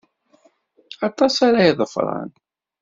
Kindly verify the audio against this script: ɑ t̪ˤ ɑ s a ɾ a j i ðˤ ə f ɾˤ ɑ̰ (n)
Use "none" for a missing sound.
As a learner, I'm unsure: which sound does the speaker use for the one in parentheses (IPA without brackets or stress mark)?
n